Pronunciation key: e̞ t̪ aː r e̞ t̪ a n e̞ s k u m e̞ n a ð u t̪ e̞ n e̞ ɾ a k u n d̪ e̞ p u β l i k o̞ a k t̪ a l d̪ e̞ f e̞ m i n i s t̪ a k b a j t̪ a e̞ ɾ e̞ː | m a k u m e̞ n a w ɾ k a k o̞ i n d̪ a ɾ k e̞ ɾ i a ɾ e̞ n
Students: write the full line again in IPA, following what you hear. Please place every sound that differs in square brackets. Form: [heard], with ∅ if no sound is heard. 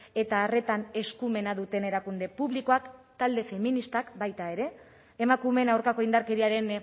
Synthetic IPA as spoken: e̞ t̪ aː r e̞ t̪ a n e̞ s k u m e̞ n a ð u t̪ e̞ n e̞ ɾ a k u n d̪ e̞ p u β l i k o̞ a k t̪ a l d̪ e̞ f e̞ m i n i s t̪ a k b a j t̪ a e̞ ɾ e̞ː | m a k u m e̞ n a w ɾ k a k o̞ i n d̪ a ɾ k e̞ ɾ i a ɾ e̞ n